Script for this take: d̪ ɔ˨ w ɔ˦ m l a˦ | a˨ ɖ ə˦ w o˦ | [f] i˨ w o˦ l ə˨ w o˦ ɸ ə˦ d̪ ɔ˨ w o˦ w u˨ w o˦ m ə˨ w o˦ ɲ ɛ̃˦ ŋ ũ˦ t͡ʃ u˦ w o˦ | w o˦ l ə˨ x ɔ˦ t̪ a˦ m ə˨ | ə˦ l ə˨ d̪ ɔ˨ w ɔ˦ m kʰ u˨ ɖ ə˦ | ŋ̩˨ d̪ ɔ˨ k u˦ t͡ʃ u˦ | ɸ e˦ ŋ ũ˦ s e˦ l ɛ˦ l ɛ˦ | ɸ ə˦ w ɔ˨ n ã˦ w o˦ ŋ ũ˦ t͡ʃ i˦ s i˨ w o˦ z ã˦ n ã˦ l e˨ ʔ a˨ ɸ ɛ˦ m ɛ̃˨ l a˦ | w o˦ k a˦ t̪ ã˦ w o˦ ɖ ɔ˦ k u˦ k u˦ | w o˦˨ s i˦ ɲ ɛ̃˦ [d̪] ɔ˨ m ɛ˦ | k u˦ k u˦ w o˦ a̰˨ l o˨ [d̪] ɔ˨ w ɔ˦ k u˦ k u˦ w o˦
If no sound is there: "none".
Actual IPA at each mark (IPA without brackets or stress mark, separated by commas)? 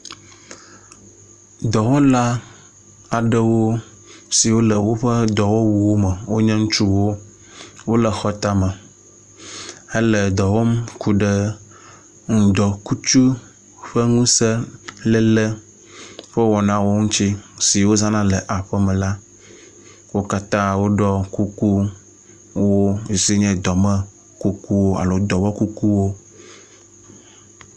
s, d̪, d̪